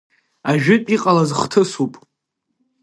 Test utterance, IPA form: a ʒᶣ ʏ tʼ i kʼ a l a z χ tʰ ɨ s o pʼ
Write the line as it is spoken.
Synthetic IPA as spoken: a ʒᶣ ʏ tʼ i qʼ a l a z χ tʰ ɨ s u pʼ